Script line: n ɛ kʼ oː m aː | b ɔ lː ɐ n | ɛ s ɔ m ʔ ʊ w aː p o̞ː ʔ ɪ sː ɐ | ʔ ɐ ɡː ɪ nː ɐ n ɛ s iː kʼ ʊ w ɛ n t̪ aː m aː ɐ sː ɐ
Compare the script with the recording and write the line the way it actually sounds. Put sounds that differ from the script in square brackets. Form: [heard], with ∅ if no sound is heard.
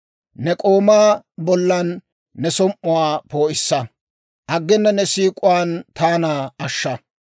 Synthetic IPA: n ɛ kʼ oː m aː | b ɔ lː ɐ [nː] | ɛ s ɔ m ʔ ʊ w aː p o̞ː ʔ ɪ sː ɐ | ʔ ɐ ɡː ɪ nː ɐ n ɛ s iː kʼ ʊ w [a] n t̪ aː [n] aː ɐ [ʃː] ɐ